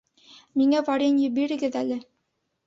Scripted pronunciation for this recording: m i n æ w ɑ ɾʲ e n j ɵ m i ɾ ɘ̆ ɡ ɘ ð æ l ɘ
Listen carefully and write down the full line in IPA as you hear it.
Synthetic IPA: m i ŋ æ v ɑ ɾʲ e n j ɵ b i ɾ ɘ̆ ɡ ɘ ð æ l ɘ